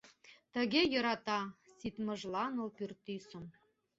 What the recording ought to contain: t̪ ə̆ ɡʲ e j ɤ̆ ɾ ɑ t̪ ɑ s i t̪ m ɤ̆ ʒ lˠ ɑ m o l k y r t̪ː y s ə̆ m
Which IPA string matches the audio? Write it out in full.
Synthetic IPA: t̪ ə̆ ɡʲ e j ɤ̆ ɾ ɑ t̪ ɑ s i t̪ m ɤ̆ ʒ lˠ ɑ n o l p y r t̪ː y s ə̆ m

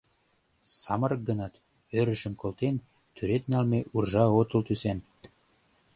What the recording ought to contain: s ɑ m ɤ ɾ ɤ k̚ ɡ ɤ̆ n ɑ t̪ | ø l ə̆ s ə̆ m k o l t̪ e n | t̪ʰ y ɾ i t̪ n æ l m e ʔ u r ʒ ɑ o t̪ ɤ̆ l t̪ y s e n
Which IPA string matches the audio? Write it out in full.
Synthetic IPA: s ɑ m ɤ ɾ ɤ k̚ ɡ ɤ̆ n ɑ t̪ | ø ɾ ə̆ ʃ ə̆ m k o l t̪ e n | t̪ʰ y ɾ e t̪ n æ l m e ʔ u r ʒ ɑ o t̪ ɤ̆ l t̪ y s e n

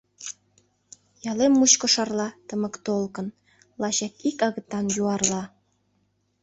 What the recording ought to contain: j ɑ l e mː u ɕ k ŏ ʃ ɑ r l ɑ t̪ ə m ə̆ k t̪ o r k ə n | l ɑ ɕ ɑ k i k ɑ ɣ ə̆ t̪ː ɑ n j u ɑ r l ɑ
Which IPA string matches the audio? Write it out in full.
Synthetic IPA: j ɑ l e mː u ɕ k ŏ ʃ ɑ r l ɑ t̪ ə m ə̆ k t̪ o l k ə n | l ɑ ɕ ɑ k i k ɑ ɣ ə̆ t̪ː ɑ n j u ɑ r l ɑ

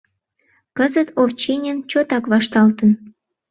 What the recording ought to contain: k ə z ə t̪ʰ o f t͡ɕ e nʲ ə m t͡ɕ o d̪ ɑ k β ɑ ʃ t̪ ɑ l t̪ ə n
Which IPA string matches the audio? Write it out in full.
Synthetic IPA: k ə z ə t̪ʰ o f t͡ɕ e nʲ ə n t͡ɕ o t̪ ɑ k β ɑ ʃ t̪ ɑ l t̪ ə n

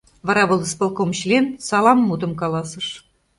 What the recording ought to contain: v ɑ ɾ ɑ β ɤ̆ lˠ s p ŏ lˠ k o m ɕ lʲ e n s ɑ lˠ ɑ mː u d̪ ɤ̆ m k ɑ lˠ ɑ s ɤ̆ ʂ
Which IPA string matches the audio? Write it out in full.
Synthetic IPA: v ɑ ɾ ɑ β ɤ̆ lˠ s p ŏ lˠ k o m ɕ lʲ e n s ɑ lˠ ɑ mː u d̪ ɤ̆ m k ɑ lˠ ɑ s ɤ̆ ʂ

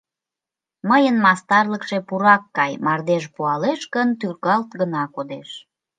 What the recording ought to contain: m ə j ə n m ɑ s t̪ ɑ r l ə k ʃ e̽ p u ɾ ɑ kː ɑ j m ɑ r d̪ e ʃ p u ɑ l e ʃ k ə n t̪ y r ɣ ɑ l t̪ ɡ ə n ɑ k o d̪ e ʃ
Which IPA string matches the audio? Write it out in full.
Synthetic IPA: m ə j ə n m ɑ s t̪ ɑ r l ə k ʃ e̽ p u ɾ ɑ kː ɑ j m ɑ r d̪ e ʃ p u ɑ l e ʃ k ə n t̪ y r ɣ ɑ l t̪ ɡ ə n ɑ k o d̪ e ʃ

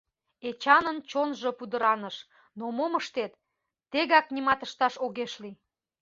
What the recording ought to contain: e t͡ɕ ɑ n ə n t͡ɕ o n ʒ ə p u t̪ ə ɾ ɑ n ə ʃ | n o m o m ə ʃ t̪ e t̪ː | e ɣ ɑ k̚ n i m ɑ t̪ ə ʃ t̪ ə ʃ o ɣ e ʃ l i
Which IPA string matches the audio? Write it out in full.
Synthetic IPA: e t͡ɕ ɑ n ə n t͡ɕ o n ʒ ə p u d̪ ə ɾ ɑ n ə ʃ | n o m o m ə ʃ t̪ e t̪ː | e ɣ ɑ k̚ n i m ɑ t̪ ə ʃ t̪ ɑ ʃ o ɣ e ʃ l i

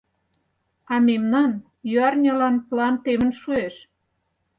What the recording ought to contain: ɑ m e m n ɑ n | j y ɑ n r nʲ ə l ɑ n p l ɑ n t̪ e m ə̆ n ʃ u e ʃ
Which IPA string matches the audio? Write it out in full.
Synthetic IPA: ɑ m e m n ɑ n | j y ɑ r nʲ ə l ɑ n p l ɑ n t̪ e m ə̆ n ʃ u e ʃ

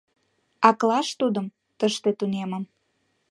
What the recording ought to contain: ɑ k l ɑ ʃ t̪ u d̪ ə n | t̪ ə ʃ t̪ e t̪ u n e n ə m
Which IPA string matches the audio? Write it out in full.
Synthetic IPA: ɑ k l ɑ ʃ t̪ u d̪ ə m | t̪ ə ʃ t̪ e t̪ u n e m ə m

